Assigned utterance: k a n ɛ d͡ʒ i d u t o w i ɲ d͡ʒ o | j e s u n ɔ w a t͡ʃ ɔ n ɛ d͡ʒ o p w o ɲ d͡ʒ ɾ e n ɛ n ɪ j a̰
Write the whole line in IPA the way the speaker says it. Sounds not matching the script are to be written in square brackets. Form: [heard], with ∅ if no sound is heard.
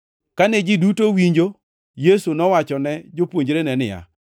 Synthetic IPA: k a n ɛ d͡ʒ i d u t o w i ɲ d͡ʒ o | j e s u n ɔ w a t͡ʃ ɔ n ɛ d͡ʒ o p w o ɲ d͡ʒ ɾ e n ɛ n ɪ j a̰